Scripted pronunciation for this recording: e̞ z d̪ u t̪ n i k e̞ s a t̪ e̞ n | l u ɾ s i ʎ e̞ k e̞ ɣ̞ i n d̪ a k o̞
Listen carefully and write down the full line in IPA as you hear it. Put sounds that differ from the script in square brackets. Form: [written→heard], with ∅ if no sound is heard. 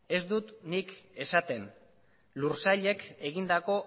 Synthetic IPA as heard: e̞ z d̪ u t̪ n i k e̞ s a t̪ e̞ n | l u ɾ s [i→a] ʎ e̞ k e̞ ɣ̞ i n d̪ a k o̞